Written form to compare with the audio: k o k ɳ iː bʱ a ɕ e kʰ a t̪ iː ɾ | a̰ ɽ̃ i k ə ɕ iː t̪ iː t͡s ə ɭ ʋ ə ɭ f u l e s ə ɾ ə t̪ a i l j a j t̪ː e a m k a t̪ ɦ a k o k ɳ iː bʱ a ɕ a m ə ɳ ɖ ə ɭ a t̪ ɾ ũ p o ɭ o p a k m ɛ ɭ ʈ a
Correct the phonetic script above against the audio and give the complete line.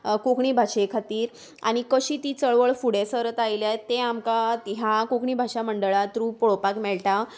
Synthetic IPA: k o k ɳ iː bʱ a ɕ e kʰ a t̪ iː ɾ | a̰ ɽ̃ i k ə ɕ iː t̪ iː t͡s ə ɭ ʋ ə ɭ f u ɽ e s ə ɾ ə t̪ a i l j a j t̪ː e a m k a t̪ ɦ a k o k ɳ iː bʱ a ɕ a m ə ɳ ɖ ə ɭ a t̪ ɾ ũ p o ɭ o p a k m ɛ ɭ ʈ a